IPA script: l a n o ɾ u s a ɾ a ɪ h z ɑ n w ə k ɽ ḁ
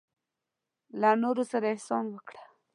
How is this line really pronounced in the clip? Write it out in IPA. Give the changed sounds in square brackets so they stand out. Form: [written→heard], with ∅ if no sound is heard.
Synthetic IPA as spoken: l a n o ɾ [u→o] s a ɾ a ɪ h [z→s] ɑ n w ə k ɽ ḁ